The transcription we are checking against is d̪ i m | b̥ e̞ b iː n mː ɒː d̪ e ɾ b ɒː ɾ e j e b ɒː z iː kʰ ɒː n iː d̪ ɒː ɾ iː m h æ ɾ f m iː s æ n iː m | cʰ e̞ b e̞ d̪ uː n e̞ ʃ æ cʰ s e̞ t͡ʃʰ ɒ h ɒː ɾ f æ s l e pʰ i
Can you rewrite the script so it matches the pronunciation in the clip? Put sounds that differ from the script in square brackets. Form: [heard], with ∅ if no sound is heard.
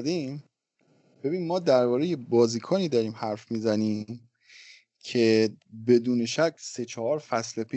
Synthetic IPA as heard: d̪ i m | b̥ e̞ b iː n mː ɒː d̪ [æ] ɾ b ɒː ɾ e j e b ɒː z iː kʰ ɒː n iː d̪ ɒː ɾ iː m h æ ɾ f m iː [z] æ n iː m | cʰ e̞ b e̞ d̪ uː n e̞ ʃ æ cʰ s e̞ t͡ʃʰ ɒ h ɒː ɾ f æ s l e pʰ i